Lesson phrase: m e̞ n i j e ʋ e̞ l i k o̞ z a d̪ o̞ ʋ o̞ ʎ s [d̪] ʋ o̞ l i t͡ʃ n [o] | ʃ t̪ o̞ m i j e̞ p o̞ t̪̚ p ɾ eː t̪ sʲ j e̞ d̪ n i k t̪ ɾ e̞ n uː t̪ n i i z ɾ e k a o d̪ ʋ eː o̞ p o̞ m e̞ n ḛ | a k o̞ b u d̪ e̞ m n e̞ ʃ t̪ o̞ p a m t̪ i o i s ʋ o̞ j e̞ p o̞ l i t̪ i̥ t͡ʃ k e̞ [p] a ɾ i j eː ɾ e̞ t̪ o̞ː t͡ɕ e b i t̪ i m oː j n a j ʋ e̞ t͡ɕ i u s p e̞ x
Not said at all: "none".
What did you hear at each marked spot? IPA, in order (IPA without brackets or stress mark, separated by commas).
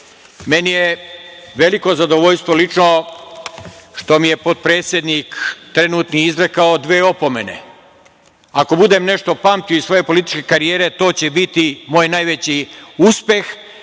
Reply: t̪, o, k